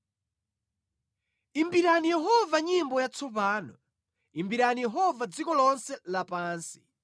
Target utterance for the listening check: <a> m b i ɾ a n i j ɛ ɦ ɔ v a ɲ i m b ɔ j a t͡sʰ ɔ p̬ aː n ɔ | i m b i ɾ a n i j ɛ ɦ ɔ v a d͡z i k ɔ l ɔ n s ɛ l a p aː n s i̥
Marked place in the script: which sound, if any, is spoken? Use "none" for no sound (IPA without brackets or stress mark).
i